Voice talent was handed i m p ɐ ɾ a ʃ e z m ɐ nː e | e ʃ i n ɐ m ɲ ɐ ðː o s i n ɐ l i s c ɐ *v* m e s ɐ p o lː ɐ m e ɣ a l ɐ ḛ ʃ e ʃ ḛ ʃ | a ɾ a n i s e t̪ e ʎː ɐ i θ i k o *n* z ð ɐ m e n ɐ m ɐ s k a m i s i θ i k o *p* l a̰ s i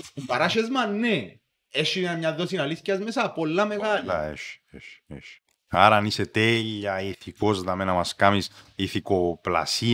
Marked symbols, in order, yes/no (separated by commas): no, no, yes